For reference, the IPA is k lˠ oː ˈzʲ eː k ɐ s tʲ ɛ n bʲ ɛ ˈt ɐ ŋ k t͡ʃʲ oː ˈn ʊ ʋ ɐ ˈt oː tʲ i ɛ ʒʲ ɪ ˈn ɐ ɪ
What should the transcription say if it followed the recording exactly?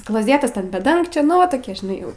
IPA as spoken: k lˠ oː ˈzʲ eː t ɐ s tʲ ɛ n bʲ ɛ ˈd ɐ ŋ k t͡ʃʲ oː ˈn ʊ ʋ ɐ ˈt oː kʲ i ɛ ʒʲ ɪ ˈn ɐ ɪ